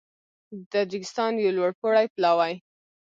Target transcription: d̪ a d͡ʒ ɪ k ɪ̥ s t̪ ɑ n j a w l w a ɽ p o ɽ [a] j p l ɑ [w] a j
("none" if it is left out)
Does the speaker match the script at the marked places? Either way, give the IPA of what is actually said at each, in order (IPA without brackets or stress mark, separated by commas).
a, w